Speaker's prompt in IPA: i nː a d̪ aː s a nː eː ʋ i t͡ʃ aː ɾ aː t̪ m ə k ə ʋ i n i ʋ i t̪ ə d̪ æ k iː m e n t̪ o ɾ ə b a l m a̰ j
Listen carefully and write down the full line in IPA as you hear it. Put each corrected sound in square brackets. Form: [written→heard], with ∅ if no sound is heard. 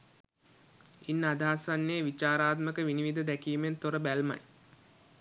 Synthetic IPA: i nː a d̪ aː s a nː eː ʋ i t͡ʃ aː ɾ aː t̪ m ə k ə ʋ i n i ʋ i [t̪→d̪] ə d̪ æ k iː m e n t̪ o ɾ ə b [a→æ] l m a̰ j